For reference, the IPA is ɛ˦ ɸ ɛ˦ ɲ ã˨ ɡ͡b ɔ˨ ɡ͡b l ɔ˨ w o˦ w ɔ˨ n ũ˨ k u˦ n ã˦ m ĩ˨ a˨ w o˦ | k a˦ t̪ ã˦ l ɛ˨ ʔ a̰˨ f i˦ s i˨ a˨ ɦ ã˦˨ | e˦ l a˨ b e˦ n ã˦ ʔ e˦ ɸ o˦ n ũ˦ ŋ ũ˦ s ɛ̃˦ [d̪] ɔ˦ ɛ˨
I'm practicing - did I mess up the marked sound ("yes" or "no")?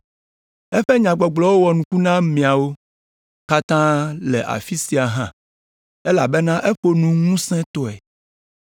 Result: yes